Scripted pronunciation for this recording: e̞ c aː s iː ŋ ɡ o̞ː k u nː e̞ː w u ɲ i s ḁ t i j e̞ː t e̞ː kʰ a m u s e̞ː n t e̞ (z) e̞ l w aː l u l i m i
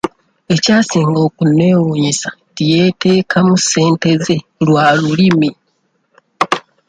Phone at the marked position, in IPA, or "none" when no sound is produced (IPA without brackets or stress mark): z